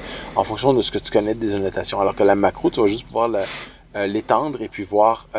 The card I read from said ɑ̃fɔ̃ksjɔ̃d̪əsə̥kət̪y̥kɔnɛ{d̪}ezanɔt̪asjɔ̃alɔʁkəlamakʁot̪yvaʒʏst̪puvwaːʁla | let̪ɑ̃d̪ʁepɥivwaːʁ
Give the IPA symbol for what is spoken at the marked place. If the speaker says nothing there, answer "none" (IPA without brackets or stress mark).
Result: d̪